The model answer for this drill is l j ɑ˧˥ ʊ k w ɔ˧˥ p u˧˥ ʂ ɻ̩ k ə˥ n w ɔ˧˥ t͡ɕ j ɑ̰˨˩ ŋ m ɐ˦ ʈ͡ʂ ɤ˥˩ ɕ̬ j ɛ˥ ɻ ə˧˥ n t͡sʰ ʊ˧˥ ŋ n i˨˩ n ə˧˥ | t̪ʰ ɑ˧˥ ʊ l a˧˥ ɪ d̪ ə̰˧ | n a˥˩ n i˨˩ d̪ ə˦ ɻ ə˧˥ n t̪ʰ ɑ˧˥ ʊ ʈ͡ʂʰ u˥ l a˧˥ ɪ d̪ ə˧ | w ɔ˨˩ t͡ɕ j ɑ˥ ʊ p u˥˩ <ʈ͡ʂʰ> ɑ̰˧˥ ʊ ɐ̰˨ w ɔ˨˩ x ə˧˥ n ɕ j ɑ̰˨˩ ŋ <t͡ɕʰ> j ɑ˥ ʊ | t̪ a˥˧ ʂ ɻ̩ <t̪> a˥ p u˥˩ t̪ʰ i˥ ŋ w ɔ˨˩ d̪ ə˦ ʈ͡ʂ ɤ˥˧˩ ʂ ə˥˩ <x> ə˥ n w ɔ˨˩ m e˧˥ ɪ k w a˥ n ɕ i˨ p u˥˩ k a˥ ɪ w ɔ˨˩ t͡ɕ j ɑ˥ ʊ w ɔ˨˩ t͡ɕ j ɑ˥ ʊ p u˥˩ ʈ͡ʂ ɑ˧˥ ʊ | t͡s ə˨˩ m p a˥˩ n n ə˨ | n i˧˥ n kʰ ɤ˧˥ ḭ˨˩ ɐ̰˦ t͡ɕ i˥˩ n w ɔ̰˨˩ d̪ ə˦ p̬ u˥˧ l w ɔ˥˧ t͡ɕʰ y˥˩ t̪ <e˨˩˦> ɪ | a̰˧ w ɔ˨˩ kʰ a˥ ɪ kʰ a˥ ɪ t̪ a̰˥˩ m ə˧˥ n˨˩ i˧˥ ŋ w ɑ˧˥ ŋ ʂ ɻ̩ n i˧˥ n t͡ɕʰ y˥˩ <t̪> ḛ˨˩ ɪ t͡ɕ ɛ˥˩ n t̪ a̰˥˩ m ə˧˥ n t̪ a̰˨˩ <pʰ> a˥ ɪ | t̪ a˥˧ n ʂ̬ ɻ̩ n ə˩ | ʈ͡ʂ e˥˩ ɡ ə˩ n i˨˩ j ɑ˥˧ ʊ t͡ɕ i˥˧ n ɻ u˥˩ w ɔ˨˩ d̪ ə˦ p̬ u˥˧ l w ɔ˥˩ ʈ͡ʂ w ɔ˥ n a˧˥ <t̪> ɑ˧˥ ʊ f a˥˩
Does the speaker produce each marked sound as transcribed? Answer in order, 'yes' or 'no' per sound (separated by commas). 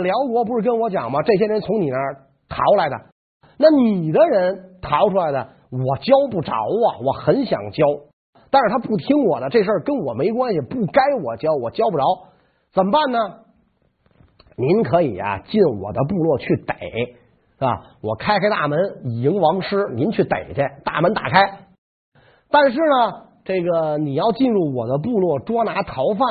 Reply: no, no, no, no, yes, yes, no, no